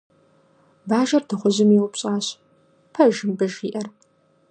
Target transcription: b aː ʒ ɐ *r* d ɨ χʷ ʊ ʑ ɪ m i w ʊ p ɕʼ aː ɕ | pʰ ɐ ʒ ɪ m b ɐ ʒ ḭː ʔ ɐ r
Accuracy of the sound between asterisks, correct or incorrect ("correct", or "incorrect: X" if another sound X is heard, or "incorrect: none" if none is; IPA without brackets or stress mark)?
correct